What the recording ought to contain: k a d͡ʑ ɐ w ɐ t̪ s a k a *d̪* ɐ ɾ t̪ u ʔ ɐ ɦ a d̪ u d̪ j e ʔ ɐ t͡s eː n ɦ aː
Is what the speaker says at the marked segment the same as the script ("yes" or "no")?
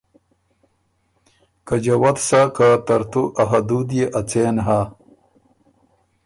no